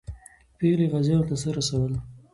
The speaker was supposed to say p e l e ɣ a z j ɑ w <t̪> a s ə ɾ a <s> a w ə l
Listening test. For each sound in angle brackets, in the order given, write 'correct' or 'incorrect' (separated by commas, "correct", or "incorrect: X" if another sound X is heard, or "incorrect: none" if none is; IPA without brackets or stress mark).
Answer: correct, correct